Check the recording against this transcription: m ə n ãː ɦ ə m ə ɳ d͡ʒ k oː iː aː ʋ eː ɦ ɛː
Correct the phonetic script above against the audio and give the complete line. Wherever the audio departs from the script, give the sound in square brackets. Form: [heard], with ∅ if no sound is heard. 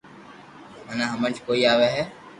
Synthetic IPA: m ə n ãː ɦ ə m ə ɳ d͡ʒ k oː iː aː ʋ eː ɦ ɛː

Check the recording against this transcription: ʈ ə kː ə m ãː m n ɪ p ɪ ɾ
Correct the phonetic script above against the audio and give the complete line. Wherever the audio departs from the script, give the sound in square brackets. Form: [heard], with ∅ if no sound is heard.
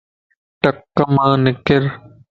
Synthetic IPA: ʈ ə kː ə m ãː [∅] n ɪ [k] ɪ ɾ

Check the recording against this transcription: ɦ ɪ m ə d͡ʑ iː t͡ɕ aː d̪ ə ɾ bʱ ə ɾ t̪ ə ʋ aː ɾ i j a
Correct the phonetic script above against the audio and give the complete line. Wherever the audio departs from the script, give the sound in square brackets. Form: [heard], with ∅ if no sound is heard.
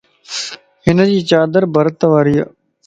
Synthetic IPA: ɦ ɪ [n] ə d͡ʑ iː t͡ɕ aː d̪ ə ɾ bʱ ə ɾ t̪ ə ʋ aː ɾ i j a

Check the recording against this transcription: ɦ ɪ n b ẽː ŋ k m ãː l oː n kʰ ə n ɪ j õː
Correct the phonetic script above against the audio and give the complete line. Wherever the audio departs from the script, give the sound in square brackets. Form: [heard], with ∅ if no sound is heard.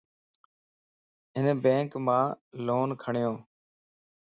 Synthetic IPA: ɦ ɪ n b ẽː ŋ k m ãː l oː n kʰ ə [ɳ] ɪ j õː

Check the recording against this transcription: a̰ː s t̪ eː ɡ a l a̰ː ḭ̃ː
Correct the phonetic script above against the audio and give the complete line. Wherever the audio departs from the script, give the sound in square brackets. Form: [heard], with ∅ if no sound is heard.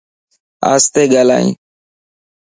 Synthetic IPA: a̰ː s t̪ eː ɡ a l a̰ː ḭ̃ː

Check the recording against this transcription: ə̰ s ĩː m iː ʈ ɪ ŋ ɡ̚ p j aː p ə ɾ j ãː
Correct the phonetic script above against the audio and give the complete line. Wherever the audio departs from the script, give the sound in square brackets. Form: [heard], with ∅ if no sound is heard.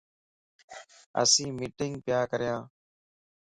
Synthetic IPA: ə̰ s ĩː m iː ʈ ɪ ŋ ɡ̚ p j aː [k] ə ɾ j ãː

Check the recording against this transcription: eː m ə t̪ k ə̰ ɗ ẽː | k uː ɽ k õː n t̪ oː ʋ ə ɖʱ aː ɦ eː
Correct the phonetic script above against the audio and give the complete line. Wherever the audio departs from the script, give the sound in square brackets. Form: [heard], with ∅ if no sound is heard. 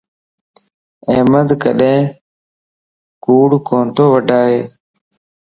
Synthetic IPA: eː m ə [d̪] k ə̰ ɗ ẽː | k uː ɽ k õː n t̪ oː ʋ ə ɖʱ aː ɦ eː

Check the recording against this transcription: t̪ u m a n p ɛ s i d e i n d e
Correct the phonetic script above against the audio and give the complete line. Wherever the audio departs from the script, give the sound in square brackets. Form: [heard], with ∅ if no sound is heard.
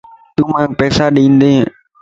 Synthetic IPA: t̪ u m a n p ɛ s [a] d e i n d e

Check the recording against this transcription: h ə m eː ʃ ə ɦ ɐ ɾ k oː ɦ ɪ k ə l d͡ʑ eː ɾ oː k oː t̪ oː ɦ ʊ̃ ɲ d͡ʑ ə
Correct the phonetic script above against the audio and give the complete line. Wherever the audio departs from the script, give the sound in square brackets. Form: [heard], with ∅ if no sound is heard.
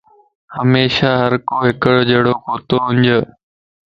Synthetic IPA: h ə m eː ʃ [a] ɦ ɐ ɾ k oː ɦ ɪ k ə [ɽ] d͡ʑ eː [ɽ] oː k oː t̪ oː ɦ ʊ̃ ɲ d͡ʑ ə

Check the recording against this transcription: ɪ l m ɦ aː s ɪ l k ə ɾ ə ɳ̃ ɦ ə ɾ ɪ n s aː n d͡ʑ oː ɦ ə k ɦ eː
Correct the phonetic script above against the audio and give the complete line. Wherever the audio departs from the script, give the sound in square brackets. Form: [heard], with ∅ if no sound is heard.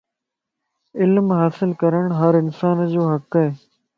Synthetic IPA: ɪ l m ɦ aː s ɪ l k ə ɾ ə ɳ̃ ɦ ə ɾ ɪ n s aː n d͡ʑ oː ɦ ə k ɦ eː

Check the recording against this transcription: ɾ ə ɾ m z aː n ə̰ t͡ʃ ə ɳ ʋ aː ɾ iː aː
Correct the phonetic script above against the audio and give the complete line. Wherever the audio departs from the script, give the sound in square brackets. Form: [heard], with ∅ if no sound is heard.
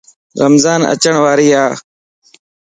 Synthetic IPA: ɾ ə [∅] m z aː n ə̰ t͡ʃ ə ɳ ʋ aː ɾ iː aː

